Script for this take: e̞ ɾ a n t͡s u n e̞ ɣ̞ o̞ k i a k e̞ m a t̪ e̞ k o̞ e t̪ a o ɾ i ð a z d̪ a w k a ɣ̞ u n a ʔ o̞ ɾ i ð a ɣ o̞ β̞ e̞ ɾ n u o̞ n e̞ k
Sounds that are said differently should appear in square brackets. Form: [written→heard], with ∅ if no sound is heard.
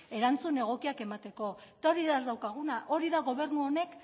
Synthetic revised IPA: e̞ ɾ a n t͡s u n e̞ ɣ̞ o̞ k i a k e̞ m a t̪ e̞ k o̞ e t̪ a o ɾ i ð a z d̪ a w k a ɣ̞ u n a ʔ o̞ ɾ i ð a ɣ o̞ β̞ e̞ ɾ n u o̞ n e̞ k